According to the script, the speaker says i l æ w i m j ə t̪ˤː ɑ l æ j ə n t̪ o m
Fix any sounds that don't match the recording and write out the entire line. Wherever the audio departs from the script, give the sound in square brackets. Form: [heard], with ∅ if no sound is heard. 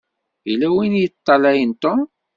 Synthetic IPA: i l æ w i [n] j ə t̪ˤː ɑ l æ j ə n t̪ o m